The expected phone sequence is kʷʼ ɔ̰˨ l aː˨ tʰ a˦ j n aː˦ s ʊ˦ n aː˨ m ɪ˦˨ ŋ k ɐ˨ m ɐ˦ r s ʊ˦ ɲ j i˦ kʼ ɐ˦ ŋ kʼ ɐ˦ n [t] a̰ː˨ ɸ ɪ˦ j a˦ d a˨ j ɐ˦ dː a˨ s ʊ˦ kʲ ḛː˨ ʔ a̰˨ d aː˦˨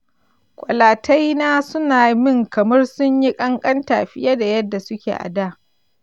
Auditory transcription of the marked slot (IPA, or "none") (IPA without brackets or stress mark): t